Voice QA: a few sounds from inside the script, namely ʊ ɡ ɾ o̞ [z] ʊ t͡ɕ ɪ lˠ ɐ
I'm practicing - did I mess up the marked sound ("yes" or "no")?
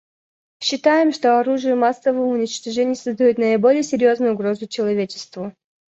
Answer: no